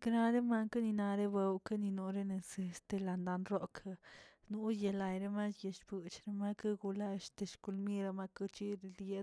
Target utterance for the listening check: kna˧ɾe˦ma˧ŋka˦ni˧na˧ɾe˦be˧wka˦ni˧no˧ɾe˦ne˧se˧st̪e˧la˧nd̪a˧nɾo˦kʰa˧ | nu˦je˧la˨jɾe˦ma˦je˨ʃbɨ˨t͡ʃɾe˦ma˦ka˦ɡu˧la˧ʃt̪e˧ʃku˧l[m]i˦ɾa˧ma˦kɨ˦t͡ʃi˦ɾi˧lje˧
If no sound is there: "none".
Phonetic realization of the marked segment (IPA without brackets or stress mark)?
m